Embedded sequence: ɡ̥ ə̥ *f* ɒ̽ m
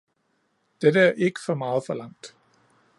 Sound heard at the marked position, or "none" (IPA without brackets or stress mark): f